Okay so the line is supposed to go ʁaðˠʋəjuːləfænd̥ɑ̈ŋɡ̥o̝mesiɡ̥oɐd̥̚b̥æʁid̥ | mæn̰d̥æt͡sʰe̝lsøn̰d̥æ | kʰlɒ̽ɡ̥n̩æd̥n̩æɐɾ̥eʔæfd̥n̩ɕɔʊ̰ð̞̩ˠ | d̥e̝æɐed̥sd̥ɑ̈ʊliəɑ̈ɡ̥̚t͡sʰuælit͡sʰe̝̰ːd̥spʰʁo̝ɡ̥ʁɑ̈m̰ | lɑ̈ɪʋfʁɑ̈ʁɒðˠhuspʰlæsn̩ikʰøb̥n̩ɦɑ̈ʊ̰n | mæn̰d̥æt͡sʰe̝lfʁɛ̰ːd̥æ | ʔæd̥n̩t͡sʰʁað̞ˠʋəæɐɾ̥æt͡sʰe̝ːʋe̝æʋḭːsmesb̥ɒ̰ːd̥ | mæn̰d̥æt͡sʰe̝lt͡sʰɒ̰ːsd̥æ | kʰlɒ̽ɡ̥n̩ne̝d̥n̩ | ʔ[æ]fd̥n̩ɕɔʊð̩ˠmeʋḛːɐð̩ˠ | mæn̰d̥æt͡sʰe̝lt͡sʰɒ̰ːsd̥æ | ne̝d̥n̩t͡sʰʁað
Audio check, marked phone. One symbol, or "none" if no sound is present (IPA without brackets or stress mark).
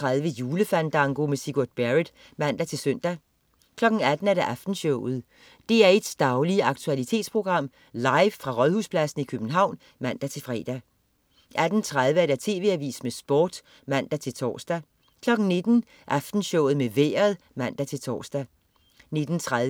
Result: æ